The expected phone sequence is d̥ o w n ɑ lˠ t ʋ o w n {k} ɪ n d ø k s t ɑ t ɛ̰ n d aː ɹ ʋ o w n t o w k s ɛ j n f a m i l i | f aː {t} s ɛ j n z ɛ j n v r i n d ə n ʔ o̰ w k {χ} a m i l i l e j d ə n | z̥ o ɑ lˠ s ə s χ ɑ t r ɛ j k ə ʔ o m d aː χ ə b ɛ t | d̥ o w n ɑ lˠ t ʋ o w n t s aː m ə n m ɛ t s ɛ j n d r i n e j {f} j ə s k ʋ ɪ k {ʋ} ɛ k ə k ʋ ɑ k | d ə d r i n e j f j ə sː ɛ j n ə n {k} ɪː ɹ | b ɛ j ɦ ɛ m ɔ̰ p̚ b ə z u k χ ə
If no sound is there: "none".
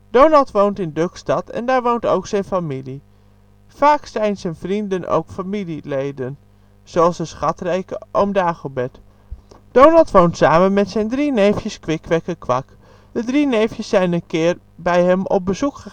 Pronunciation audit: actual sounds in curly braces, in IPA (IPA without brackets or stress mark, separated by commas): t, k, f, f, ʋ, k